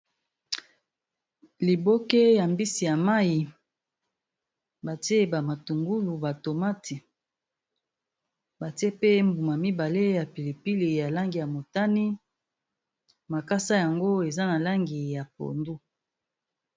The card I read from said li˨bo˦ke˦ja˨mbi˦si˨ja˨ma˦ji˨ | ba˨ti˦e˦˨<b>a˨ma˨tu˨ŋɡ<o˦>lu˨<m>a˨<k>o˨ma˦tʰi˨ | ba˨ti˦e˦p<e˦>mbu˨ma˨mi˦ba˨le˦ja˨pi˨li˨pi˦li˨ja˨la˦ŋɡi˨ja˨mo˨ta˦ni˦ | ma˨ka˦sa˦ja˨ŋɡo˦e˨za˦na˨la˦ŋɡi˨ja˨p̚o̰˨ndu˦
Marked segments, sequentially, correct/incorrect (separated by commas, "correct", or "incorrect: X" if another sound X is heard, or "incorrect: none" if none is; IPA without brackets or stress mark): correct, incorrect: u˦, incorrect: b, incorrect: t, correct